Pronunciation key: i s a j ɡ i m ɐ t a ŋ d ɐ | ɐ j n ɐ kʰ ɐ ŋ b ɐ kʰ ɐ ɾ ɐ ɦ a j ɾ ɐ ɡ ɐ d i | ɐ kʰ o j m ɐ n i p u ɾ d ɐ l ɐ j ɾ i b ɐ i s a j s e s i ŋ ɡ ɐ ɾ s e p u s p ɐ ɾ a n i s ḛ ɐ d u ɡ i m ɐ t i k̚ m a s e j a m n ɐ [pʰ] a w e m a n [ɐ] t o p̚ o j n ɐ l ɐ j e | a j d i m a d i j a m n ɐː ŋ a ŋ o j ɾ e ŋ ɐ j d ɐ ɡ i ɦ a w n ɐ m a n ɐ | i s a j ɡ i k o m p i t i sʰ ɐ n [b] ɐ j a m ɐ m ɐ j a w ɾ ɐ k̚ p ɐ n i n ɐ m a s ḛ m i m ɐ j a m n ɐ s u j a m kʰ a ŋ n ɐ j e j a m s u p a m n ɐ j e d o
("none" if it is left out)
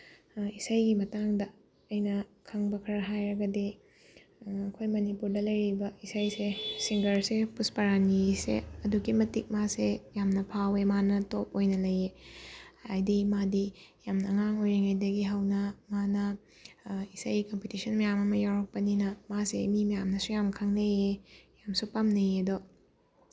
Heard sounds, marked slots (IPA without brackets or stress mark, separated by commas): pʰ, ɐ, m